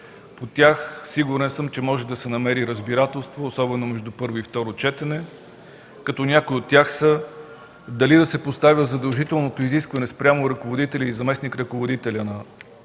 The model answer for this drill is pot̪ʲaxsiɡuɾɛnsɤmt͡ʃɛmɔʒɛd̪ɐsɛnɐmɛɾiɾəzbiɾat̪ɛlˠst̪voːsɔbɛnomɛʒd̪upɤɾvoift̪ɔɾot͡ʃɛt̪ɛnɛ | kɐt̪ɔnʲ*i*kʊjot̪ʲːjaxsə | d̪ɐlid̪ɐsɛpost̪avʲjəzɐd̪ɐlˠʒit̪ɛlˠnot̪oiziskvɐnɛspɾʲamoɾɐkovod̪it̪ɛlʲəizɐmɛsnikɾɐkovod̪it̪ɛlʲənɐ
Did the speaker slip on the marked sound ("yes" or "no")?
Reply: yes